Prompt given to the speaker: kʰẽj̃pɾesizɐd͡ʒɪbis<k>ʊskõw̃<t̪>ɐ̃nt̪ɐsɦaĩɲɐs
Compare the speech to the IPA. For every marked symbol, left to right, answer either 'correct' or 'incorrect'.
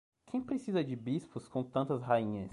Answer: incorrect: p, correct

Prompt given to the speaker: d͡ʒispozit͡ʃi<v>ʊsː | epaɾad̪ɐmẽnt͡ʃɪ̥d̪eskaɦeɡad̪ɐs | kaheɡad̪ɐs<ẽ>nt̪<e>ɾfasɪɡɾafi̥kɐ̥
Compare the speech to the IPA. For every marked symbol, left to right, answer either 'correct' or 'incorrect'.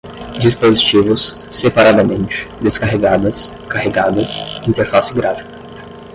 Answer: correct, incorrect: ĩ, correct

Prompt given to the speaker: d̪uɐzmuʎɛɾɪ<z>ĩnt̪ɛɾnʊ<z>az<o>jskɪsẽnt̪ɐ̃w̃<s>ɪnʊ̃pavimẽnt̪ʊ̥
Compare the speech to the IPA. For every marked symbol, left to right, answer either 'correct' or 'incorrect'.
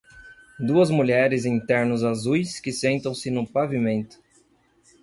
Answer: correct, correct, incorrect: u, correct

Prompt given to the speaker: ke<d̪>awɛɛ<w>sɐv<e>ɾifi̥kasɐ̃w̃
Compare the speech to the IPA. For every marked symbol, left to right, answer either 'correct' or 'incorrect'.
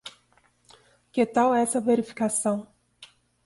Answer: incorrect: t̪, incorrect: none, correct

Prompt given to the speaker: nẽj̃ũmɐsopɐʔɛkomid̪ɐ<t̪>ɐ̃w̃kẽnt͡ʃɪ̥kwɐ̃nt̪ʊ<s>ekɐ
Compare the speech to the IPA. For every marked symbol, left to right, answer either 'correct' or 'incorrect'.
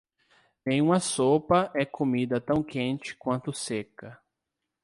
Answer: correct, correct

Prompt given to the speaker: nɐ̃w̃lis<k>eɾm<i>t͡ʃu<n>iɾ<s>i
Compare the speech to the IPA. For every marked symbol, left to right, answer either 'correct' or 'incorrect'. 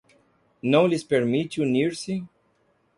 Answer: incorrect: p, correct, correct, correct

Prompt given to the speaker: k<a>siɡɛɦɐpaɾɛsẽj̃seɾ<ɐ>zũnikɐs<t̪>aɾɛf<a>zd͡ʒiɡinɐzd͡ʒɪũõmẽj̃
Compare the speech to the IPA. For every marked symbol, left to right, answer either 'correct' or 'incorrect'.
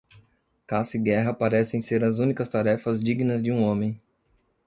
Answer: correct, correct, correct, incorrect: ɐ

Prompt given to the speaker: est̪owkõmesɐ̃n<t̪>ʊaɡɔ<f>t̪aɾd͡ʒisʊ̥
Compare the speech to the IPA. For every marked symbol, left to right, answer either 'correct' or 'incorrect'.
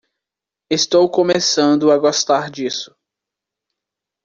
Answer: incorrect: d̪, incorrect: s

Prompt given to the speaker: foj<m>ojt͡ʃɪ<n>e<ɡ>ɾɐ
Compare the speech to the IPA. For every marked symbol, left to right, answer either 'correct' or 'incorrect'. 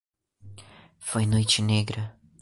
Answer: incorrect: n, correct, correct

